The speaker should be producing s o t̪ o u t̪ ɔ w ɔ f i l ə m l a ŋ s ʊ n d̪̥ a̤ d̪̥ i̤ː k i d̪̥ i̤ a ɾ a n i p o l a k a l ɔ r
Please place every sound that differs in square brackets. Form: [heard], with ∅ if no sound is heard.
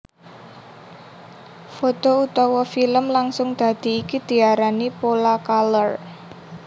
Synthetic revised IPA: [f] o t̪ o u t̪ ɔ w ɔ f i l ə m l a ŋ s ʊ [ŋ] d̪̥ a̤ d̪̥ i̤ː k i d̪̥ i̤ a ɾ a n i p o l a k a l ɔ r